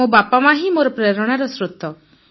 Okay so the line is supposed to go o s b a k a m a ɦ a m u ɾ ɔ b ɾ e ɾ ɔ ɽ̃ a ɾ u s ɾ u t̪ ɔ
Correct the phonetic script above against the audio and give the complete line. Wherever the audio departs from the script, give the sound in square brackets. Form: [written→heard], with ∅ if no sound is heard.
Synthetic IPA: o [s→∅] b a [k→p] a m a ɦ [a→i] m [u→o] ɾ ɔ [b→p] ɾ e ɾ ɔ ɽ̃ a ɾ [u→ɔ] s ɾ u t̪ ɔ